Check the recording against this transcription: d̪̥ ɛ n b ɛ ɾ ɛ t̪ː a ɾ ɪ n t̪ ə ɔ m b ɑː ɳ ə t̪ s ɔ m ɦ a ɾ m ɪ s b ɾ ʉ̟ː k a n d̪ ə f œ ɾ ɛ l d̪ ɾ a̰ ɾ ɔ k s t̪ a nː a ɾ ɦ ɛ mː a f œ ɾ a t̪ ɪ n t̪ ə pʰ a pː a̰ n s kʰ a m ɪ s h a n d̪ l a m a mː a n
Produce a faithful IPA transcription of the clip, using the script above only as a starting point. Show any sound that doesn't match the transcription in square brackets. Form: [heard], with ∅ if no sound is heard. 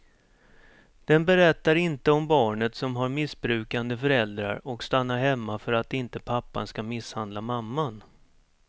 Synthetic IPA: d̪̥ ɛ n b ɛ ɾ ɛ t̪ː a ɾ ɪ n t̪ ə ɔ m b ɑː ɳ ə t̪ s ɔ m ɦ a ɾ m ɪ s b ɾ ʉ̟ː k a n d̪ ə f œ ɾ ɛ l d̪ ɾ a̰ ɾ ɔ k s t̪ a nː a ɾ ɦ ɛ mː a f œ ɾ a t̪ ɪ n t̪ ə pʰ a pː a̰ n s [k] a m ɪ s h a n d̪ l a m a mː a n